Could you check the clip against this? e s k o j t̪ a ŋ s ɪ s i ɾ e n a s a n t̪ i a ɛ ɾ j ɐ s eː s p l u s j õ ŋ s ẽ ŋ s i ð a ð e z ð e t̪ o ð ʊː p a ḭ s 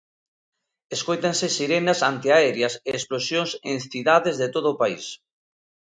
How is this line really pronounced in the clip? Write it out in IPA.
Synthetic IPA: e s k o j t̪ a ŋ s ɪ s i ɾ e n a s a n t̪ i a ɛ ɾ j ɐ s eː s p l o s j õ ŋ s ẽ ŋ θ i ð a ð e z ð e t̪ o ð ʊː p a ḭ s